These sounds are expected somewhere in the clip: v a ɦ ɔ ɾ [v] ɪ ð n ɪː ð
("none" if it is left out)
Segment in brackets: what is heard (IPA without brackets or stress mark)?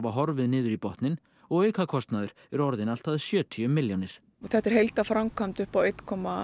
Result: v